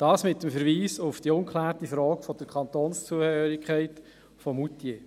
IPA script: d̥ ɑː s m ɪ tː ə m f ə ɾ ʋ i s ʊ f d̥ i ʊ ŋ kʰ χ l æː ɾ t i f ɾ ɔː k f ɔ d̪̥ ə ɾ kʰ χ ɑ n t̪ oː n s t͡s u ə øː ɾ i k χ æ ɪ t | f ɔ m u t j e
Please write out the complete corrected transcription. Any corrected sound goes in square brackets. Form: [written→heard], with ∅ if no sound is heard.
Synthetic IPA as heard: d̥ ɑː s m ɪ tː ə m f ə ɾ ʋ [i→iː] s ʊ f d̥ i ʊ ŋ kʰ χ l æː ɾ t i f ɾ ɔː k f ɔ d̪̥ ə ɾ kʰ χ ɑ n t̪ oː n s t͡s u ə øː ɾ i k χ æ ɪ t | f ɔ m u t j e

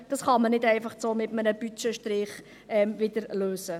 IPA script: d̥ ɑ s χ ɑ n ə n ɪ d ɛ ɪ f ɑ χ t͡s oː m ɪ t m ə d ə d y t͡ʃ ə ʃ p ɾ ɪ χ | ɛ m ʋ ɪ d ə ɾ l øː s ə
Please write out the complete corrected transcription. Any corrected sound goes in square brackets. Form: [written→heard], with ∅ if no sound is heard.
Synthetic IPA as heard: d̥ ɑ s χ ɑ [n→m] ə n ɪ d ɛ ɪ f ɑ χ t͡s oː m ɪ t m ə [d→n] ə [d→b] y t͡ʃ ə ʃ [p→t] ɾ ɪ χ | ɛ m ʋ ɪ d ə ɾ l øː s ə

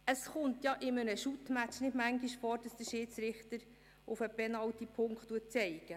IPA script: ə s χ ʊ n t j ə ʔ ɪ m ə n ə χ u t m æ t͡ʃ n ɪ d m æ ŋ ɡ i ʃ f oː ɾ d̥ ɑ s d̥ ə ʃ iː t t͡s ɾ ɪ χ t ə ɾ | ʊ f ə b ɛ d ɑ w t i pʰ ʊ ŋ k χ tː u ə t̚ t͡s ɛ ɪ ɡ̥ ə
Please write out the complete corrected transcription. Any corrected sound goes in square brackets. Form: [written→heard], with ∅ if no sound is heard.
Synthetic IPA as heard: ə s χ ʊ n t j [ə→ɑ] ʔ ɪ m ə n ə [χ→ʃ] u t m æ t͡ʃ n ɪ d m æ ŋ ɡ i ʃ f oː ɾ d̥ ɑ s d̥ ə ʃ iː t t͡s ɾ ɪ χ t ə ɾ | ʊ f ə b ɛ [d→n] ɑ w t i pʰ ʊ ŋ k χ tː u ə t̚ t͡s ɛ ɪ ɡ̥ ə

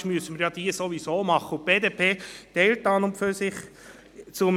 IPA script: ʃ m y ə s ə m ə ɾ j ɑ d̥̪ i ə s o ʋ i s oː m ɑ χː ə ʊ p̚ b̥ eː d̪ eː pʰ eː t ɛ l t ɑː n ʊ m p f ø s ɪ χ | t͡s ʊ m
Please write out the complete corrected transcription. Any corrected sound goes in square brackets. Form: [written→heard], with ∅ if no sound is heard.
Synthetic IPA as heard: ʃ m y ə s ə m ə ɾ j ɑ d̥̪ i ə s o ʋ i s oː m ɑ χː ə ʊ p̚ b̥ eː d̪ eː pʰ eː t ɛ l t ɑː n ʊ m p f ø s ɪ χ | t͡s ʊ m

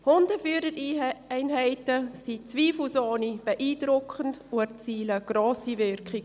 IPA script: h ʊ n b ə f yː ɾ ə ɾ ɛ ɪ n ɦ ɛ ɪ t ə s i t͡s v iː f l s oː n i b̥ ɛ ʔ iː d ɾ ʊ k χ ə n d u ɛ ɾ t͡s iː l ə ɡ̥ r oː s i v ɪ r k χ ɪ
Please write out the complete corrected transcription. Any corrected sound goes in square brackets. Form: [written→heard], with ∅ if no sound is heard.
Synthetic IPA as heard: h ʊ n [b→d] ə f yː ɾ ə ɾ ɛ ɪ n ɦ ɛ ɪ t ə s i t͡s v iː f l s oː n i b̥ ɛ ʔ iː d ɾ ʊ k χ ə n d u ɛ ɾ t͡s iː l ə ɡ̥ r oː s i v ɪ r k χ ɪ

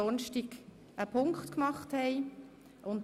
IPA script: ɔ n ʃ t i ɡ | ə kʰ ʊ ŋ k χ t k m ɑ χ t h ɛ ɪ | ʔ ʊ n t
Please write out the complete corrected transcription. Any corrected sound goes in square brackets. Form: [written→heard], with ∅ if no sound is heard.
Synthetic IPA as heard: ɔ n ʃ t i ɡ | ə [kʰ→pʰ] ʊ ŋ k χ t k m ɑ χ t h ɛ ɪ | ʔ ʊ n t

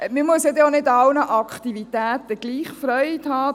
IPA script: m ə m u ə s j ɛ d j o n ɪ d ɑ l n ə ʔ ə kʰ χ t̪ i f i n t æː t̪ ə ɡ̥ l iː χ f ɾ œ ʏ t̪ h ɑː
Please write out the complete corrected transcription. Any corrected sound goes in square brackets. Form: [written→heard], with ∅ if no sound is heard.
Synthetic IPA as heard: m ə m u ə s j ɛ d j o n ɪ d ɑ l n ə ʔ [ə→ɑ] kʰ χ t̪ i [f→v] i [n→∅] t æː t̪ ə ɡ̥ l iː χ f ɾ œ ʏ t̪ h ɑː

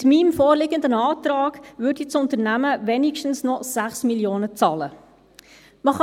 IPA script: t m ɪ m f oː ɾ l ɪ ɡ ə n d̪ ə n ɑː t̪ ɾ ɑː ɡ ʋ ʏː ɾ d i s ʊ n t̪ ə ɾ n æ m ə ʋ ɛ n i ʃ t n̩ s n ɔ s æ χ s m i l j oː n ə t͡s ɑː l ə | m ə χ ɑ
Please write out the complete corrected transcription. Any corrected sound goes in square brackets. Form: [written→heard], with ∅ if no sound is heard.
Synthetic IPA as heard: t m [ɪ→i] m f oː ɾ l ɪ ɡ ə n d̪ ə n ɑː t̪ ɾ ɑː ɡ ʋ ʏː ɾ d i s ʊ n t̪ ə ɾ n æ m ə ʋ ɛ n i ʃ t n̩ s n ɔ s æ χ s m i l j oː n ə t͡s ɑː l ə | m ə χ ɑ

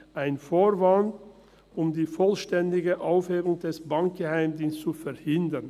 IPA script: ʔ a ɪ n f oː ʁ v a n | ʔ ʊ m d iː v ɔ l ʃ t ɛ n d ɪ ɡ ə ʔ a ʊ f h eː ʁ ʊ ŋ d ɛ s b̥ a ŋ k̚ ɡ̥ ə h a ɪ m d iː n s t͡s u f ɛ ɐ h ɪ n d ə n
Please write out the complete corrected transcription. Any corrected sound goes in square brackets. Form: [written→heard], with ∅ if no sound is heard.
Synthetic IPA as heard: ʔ a ɪ n f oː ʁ v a n | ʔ ʊ m d iː [v→f] ɔ l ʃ t ɛ n d ɪ ɡ ə ʔ a ʊ f h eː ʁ ʊ ŋ d ɛ s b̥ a ŋ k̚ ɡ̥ ə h a ɪ m d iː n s t͡s u f ɛ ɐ h ɪ n d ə n

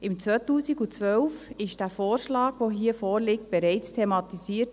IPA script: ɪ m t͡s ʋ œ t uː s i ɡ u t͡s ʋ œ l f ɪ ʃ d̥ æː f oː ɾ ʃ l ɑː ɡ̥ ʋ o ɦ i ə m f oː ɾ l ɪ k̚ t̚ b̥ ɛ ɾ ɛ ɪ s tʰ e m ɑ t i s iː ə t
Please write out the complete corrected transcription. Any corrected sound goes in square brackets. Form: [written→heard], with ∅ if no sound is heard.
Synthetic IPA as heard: ɪ m t͡s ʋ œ t uː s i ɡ u t͡s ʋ œ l f ɪ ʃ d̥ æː f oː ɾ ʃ l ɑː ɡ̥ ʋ o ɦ i ə [m→∅] f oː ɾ l ɪ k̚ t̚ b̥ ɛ ɾ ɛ ɪ [s→t͡s] tʰ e m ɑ t i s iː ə t

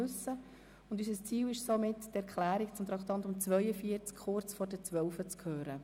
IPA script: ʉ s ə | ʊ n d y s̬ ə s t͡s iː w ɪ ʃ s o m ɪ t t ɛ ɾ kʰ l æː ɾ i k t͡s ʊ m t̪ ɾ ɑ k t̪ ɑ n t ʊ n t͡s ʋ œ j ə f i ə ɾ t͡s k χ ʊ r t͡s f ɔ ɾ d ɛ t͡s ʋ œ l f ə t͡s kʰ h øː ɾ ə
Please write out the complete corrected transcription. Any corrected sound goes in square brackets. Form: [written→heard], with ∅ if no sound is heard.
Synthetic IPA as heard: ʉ s ə | ʊ n d y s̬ ə s t͡s iː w ɪ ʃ s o m ɪ t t ɛ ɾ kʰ l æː ɾ i k t͡s ʊ m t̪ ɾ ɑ k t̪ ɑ n t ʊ [n→m] t͡s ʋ œ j ə f i ə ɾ t͡s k χ ʊ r t͡s f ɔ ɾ d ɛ t͡s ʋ œ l f ə t͡s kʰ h øː ɾ ə

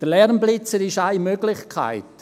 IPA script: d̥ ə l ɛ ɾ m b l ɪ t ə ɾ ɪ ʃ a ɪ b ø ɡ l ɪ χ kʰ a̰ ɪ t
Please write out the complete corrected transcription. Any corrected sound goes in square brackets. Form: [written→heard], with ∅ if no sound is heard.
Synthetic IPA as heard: d̥ ə l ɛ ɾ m b l ɪ [t→t͡s] ə ɾ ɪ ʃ a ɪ [b→m] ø ɡ l ɪ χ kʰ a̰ ɪ t

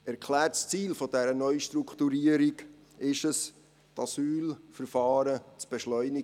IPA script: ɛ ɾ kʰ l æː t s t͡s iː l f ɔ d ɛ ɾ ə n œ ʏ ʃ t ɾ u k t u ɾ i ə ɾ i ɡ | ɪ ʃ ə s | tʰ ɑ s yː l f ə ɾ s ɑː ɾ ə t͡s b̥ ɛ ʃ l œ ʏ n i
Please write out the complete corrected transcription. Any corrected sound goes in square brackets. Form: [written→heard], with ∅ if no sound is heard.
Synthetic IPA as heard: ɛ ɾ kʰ l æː t s t͡s iː l f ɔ d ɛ ɾ ə n œ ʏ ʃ t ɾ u k t u ɾ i ə ɾ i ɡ | ɪ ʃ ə s | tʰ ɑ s yː l f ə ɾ [s→f] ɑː ɾ ə t͡s b̥ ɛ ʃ l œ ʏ n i

